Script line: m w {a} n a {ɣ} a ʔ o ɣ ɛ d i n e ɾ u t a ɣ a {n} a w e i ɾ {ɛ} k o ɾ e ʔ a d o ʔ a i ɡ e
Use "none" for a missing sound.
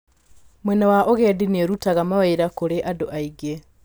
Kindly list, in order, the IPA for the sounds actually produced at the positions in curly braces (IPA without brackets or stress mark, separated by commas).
ɛ, w, m, a